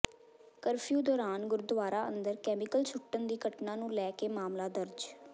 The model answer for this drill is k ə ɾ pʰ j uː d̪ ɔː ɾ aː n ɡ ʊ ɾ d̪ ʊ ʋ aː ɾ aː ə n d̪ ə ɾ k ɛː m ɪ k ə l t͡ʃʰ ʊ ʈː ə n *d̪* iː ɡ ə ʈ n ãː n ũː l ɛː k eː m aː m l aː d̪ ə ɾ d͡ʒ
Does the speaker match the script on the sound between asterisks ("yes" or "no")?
yes